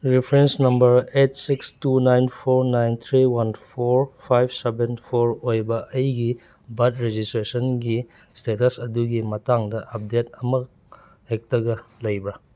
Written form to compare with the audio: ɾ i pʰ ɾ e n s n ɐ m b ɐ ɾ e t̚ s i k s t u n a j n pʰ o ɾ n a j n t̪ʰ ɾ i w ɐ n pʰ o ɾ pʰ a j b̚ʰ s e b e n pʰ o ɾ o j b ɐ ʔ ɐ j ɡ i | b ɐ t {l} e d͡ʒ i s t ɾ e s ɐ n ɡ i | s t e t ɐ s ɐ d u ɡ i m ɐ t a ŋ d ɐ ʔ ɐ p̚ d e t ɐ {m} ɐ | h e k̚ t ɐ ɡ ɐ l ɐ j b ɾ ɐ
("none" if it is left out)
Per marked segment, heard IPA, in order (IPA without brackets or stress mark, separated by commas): ɾ, m